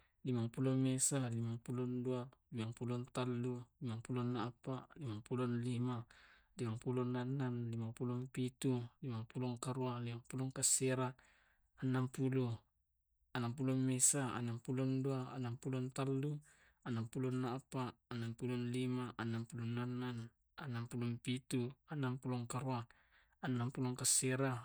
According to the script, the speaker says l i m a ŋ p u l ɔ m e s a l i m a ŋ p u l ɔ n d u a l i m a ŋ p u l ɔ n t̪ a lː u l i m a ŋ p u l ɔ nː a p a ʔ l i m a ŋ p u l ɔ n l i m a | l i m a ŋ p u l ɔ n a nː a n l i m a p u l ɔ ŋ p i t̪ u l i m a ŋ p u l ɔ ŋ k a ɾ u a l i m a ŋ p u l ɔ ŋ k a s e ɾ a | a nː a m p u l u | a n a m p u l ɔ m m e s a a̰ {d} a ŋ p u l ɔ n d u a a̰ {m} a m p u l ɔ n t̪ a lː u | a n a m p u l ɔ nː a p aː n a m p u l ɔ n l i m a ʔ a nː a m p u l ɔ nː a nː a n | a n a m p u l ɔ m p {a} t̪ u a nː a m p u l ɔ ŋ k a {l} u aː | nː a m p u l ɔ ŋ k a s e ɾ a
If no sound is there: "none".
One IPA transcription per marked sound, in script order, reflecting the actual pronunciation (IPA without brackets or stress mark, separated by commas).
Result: n, n, i, ɾ